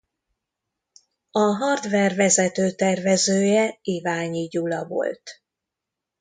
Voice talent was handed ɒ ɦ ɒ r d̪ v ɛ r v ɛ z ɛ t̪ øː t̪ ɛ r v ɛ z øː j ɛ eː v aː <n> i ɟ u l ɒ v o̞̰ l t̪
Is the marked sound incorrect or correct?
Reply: incorrect